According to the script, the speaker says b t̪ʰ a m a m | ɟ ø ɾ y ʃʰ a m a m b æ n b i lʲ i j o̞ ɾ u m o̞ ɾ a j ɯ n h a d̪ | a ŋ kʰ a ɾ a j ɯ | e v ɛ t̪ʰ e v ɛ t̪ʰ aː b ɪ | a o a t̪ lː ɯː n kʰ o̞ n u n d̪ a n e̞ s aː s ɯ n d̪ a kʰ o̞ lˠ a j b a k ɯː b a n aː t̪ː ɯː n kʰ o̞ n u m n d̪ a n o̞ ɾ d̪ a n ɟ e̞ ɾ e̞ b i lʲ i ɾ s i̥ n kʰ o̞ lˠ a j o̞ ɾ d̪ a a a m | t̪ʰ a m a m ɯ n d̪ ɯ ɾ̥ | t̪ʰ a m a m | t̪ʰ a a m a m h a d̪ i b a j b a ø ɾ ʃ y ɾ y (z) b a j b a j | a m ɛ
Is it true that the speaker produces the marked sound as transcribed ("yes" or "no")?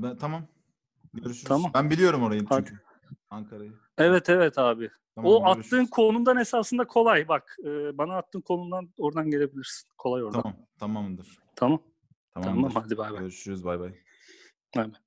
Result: yes